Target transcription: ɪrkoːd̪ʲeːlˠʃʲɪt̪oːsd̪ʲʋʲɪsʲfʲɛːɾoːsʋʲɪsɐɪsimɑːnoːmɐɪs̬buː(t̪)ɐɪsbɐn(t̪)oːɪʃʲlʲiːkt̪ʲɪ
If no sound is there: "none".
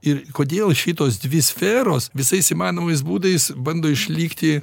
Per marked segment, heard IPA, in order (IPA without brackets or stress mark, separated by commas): d̪, d̪